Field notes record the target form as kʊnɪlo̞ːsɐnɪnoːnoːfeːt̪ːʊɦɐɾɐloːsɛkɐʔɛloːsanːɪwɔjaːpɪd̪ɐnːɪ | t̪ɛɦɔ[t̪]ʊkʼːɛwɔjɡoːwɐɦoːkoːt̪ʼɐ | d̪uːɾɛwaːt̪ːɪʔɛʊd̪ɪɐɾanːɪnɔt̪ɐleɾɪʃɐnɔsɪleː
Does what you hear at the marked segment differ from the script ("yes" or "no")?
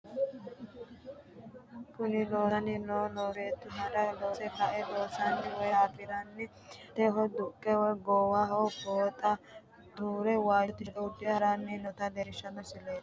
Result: yes